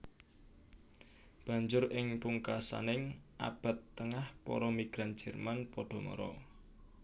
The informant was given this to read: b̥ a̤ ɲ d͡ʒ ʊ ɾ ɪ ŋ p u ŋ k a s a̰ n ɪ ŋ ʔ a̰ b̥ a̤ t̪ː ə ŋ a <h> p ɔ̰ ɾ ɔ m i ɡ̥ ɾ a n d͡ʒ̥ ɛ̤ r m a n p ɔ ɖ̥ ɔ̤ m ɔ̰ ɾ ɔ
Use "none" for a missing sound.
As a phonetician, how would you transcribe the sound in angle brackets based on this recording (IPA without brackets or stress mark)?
h